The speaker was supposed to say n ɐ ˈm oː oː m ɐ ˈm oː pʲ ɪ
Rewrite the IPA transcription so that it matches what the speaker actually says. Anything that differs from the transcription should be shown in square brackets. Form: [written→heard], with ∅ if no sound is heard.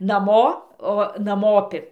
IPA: n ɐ ˈm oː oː [m→n] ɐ ˈm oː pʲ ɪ